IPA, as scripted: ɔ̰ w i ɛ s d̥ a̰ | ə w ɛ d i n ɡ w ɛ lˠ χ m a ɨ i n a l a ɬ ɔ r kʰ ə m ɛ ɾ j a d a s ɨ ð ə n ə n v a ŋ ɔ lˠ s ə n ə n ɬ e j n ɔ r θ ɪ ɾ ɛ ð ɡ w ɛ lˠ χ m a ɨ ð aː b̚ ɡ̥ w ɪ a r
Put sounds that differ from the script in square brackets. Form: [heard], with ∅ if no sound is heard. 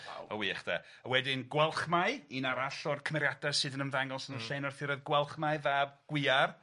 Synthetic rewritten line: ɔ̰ w i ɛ [χ] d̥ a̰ | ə w ɛ d [ɪ] n ɡ w ɛ lˠ χ m a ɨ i n a [ɾ] a ɬ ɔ r kʰ ə m ɛ ɾ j a d a s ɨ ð ə n ə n v a ŋ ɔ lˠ s ə n ə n ɬ e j n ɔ r θ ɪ ɾ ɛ ð ɡ w ɛ lˠ χ m a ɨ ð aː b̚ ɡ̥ w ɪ a r